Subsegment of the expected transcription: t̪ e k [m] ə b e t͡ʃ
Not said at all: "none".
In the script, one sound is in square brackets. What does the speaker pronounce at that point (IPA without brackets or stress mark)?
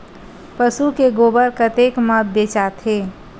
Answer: m